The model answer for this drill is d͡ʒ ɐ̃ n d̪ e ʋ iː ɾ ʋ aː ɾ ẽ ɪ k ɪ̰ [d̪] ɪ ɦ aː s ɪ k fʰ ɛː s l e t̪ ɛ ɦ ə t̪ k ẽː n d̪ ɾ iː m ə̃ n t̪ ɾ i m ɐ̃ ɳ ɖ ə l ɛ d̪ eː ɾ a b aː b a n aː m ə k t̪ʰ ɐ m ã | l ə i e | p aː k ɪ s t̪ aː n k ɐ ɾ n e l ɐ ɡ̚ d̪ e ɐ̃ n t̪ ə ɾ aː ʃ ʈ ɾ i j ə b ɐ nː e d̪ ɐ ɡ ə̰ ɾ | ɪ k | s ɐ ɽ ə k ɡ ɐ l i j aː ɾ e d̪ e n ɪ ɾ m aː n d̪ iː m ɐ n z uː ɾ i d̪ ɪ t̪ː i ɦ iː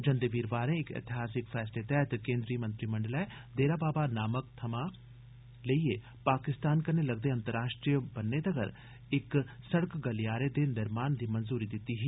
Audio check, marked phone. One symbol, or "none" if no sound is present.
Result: t̪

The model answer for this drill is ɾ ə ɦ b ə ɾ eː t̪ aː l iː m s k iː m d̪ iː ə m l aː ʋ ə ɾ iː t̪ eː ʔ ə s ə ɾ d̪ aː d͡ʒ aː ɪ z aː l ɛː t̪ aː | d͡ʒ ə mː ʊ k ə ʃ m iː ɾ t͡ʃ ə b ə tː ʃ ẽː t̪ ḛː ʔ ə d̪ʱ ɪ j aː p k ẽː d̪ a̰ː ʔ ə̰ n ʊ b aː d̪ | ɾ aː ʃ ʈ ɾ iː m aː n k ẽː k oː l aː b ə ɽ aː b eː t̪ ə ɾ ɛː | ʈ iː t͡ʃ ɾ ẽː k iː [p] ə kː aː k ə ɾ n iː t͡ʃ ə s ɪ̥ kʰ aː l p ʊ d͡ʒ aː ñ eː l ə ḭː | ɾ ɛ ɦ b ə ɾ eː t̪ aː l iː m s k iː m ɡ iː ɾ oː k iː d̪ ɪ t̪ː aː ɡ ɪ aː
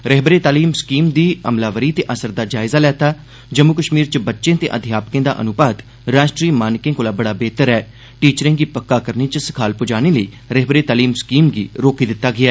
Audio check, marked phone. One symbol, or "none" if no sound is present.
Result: p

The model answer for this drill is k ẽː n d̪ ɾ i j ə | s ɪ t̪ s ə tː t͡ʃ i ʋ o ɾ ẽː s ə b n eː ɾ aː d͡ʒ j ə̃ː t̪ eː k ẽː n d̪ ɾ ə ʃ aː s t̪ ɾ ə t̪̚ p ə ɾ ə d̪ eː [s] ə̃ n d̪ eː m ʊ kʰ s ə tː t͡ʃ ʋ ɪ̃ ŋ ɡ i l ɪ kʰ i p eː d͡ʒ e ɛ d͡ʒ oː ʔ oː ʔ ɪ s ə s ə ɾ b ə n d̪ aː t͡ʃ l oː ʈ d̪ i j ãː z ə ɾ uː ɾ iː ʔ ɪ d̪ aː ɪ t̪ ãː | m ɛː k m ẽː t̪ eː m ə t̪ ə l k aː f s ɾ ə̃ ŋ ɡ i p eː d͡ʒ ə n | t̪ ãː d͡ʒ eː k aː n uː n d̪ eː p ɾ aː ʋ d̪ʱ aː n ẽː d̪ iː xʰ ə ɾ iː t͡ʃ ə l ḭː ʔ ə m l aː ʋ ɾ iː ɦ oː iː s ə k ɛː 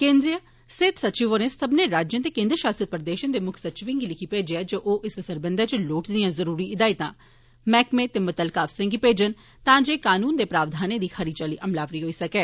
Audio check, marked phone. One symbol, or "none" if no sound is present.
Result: ʃ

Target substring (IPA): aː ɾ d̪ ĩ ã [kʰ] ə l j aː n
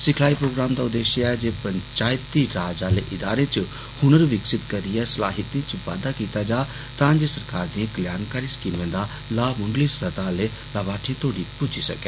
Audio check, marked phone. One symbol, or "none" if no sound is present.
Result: k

